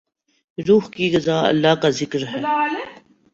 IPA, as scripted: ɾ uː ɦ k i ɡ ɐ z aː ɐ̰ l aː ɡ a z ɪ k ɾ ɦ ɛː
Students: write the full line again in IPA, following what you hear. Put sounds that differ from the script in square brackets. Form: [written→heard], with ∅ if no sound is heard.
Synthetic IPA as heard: ɾ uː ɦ k i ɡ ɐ z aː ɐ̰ [l→lː] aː [ɡ→k] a z ɪ k ɾ ɦ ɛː